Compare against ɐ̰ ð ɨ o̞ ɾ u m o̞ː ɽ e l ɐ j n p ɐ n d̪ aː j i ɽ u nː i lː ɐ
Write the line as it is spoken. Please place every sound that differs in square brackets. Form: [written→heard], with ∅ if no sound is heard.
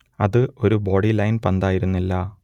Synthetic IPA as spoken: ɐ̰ ð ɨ o̞ ɾ u [m→b] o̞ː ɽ [e→i] l ɐ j n p ɐ n d̪ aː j i [ɽ→ɾ] u nː i lː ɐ

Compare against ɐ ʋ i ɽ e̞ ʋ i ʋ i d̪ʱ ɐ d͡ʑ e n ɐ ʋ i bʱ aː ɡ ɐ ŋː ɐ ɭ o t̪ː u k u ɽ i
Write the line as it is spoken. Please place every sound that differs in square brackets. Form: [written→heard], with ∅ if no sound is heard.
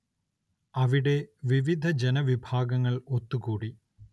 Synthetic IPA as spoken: ɐ ʋ i ɽ e̞ ʋ i ʋ i d̪ʱ ɐ d͡ʑ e n ɐ ʋ i bʱ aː ɡ ɐ ŋː ɐ ɭ o t̪ː u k [u→uː] ɽ i

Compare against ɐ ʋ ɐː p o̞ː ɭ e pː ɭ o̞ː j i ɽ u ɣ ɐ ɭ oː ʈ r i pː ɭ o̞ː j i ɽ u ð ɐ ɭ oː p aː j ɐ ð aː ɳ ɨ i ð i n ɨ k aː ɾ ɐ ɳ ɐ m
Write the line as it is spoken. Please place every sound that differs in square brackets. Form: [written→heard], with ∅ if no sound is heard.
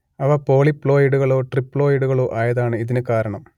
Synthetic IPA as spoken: ɐ ʋ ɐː p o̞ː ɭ [e→i] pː ɭ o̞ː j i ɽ u ɣ ɐ ɭ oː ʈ r i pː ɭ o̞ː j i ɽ u [ð→ɣ] ɐ ɭ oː [p→ʔ] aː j ɐ ð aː ɳ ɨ i ð i n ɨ k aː ɾ ɐ ɳ ɐ m

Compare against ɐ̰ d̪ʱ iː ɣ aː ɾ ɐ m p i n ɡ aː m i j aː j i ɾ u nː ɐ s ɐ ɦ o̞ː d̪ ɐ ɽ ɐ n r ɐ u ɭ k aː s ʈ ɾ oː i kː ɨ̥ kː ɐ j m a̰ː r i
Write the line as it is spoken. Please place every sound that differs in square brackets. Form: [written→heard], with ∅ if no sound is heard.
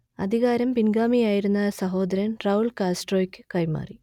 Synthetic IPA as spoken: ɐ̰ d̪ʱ [iː→i] ɣ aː ɾ ɐ m p i n ɡ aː m i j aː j i ɾ u nː ɐ s ɐ ɦ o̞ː d̪ ɐ [ɽ→ɾ] ɐ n r ɐ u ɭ k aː s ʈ [ɾ→r] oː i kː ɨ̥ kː ɐ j m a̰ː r i

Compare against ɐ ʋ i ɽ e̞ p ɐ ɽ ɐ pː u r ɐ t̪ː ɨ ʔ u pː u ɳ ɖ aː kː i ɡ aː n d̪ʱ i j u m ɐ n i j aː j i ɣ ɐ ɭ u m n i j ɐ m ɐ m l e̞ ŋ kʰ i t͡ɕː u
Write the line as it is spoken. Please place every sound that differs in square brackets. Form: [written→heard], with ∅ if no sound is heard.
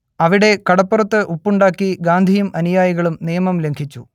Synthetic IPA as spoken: ɐ ʋ i ɽ e̞ [p→k] ɐ ɽ ɐ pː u r ɐ t̪ː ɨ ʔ u pː u ɳ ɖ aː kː i ɡ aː n d̪ʱ i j u m ɐ n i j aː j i ɣ ɐ ɭ u m n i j ɐ m ɐ m l e̞ ŋ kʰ i t͡ɕː u

